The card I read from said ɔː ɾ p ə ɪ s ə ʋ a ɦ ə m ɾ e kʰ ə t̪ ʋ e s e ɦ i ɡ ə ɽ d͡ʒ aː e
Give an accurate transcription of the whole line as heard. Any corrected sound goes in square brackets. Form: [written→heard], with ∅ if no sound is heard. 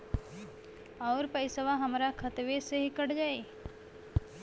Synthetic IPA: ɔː ɾ p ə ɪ s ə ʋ a ɦ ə m ɾ [e→a] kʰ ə t̪ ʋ e s e ɦ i [ɡ→k] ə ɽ d͡ʒ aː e